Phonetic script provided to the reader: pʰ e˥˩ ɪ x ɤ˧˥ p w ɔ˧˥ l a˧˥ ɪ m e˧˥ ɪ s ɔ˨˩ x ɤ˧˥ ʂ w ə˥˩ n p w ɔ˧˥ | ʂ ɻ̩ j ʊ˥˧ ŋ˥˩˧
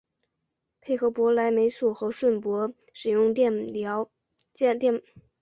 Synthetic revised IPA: pʰ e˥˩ ɪ x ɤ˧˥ p w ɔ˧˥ l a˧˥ ɪ m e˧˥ ɪ s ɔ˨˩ x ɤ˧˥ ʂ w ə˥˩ n p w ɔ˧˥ | ʂ ɻ̩ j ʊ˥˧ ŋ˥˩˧